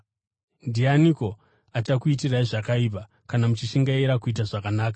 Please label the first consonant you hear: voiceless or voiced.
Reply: voiced